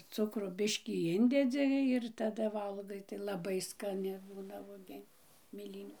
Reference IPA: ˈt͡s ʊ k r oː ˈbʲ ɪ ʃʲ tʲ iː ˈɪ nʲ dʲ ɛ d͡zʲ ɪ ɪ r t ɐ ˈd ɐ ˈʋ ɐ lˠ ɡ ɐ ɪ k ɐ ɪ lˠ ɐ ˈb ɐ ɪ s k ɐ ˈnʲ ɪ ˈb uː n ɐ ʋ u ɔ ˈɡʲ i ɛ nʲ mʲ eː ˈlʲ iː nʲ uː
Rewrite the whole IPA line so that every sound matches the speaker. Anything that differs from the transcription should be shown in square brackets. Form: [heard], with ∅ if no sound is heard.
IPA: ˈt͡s ʊ k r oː ˈbʲ ɪ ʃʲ [kʲ] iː ˈɪ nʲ dʲ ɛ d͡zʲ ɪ ɪ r t ɐ ˈd ɐ ˈʋ ɐ lˠ ɡ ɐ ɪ [t] ɐ ɪ lˠ ɐ ˈb ɐ ɪ s k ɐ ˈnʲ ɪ ˈb uː n ɐ ʋ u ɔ ˈɡʲ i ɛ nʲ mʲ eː ˈlʲ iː nʲ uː